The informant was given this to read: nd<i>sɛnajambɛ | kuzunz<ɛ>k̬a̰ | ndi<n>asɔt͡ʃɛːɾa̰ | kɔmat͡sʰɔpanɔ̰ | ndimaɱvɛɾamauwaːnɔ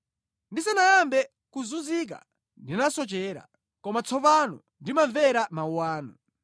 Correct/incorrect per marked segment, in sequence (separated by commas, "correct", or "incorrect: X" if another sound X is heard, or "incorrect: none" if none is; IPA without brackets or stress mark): correct, incorrect: i, correct